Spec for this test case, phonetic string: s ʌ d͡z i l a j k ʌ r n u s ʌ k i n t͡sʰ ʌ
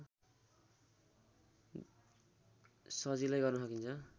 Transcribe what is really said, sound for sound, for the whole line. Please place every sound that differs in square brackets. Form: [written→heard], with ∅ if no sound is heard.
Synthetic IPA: s ʌ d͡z i l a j [k→ɡ] ʌ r n u s ʌ k i n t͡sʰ ʌ